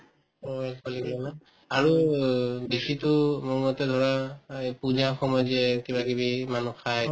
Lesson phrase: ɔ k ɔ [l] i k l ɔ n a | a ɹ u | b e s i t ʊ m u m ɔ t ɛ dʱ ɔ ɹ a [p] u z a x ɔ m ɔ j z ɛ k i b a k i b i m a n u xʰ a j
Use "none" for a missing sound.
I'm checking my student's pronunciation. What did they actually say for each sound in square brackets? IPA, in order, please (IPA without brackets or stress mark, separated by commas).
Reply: l, p